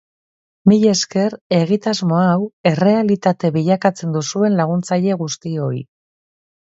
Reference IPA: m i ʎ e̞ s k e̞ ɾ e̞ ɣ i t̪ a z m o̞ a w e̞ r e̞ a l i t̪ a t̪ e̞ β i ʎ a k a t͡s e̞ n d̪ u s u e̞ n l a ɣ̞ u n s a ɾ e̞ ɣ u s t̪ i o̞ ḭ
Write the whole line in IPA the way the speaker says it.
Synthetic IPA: m i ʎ e̞ s k e̞ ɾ e̞ ɣ i t̪ a z m o̞ a w e̞ r e̞ a l i t̪ a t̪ e̞ β i ʎ a k a t͡s e̞ n d̪ u s u e̞ n l a ɣ̞ u n t͡s a ʎ e̞ ɣ u s t̪ i o̞ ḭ